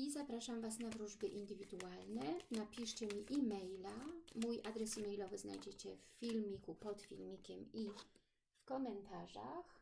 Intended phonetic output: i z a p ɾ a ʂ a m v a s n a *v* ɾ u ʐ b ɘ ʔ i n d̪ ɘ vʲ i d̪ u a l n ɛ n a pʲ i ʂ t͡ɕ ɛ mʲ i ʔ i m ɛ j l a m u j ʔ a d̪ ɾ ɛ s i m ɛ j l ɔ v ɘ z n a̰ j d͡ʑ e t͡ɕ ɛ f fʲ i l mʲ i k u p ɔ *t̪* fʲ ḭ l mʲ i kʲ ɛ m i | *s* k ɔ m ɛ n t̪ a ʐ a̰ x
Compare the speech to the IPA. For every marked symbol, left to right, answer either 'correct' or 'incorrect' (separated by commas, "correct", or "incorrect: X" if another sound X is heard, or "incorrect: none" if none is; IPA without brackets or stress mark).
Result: correct, correct, incorrect: f